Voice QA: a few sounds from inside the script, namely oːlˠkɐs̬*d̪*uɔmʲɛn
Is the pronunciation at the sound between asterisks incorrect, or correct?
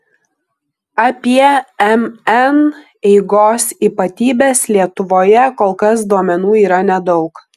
correct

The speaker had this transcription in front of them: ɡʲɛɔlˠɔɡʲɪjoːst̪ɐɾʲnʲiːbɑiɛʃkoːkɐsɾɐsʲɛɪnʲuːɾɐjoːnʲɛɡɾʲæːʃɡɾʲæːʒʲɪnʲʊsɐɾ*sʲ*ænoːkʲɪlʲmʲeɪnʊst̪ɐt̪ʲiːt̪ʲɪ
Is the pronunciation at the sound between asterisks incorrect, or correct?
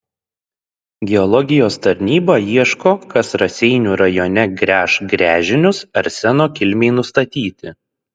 correct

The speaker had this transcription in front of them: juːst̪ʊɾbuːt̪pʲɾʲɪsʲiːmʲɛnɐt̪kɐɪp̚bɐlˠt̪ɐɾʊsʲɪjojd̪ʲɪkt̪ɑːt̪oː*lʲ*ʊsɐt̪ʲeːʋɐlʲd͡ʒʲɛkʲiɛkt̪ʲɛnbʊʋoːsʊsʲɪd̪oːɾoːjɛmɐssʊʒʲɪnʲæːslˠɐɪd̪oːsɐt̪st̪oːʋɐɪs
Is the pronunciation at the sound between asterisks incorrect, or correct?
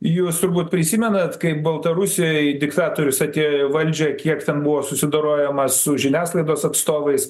incorrect: ɾʲ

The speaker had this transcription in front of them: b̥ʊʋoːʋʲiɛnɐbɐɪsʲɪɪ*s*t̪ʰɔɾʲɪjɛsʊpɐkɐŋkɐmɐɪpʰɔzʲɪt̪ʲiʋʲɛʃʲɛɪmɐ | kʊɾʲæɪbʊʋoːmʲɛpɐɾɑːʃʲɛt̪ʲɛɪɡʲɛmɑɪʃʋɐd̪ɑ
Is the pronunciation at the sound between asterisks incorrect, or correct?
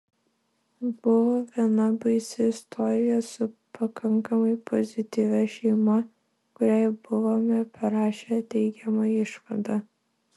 correct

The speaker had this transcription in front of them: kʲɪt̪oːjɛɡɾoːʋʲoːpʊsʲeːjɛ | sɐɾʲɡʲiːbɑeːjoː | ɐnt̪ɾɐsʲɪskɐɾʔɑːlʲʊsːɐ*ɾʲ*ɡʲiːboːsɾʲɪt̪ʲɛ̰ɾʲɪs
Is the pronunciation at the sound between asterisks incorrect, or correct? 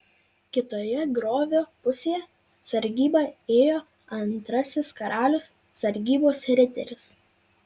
correct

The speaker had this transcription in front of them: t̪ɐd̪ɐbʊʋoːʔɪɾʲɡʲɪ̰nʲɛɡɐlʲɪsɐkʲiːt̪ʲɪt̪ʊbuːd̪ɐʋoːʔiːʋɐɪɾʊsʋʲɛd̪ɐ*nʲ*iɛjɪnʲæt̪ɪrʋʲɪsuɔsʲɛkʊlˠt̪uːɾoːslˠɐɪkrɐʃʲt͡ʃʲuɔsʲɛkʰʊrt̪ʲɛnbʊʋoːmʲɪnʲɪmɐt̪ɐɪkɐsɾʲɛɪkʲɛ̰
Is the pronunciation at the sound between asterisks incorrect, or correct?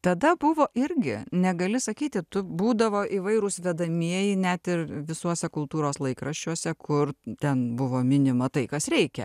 incorrect: mʲ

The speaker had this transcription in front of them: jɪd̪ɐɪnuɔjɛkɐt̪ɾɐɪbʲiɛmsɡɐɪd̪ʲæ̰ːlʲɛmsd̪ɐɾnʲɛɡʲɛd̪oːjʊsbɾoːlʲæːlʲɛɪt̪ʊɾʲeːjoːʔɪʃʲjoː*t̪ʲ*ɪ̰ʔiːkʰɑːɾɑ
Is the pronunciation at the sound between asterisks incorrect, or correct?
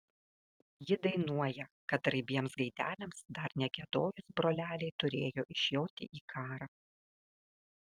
correct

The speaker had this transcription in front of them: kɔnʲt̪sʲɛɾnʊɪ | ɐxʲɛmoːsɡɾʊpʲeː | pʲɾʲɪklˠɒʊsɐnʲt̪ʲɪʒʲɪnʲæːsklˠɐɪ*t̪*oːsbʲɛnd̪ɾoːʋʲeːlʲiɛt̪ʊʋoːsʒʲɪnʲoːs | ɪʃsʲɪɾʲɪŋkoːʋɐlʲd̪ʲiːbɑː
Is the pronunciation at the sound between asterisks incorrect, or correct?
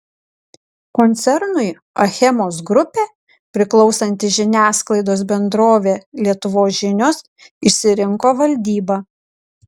incorrect: d̪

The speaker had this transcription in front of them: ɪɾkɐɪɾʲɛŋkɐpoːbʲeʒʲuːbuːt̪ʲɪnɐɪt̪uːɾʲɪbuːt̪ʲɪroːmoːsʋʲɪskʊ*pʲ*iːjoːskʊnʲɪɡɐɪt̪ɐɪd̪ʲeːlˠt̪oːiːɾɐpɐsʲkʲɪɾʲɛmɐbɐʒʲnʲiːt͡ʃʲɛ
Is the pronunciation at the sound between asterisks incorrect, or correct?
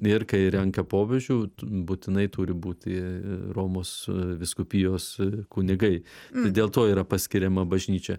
correct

